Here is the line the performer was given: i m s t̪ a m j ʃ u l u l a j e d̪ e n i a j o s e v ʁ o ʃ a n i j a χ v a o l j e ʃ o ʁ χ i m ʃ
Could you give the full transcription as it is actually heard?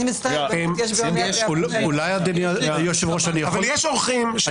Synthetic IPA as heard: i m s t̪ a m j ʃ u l u l a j a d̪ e n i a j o ʃ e v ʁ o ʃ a n i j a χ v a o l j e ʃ o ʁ χ i m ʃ